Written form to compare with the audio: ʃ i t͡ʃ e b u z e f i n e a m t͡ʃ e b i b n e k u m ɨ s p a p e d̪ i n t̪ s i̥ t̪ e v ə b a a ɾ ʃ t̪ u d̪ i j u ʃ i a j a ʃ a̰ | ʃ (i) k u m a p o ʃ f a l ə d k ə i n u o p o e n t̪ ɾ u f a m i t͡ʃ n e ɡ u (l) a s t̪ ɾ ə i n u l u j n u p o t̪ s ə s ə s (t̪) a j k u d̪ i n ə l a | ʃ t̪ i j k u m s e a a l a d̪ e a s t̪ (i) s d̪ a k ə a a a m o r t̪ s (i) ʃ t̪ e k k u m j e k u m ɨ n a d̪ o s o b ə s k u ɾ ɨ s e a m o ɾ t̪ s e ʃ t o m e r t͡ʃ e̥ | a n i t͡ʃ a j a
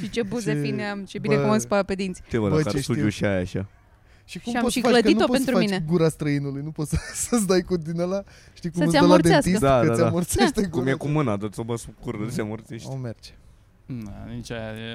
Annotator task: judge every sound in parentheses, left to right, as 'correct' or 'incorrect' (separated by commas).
correct, incorrect, incorrect, correct, incorrect